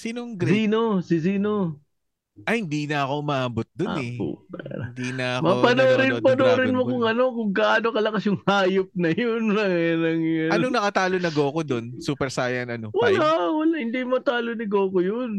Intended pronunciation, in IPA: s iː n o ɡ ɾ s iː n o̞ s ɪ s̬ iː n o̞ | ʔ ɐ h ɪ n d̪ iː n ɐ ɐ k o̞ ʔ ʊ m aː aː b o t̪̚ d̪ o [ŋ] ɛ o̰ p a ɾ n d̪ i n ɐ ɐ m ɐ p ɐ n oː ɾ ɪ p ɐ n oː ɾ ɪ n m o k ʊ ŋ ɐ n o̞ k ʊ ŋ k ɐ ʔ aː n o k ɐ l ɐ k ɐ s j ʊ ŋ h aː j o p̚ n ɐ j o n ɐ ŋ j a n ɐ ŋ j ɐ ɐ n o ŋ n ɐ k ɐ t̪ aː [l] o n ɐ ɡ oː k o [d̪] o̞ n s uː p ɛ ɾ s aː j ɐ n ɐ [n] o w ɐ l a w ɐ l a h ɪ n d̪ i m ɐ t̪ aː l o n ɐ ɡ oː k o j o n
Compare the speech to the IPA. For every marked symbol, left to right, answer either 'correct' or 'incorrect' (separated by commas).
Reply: incorrect, correct, correct, correct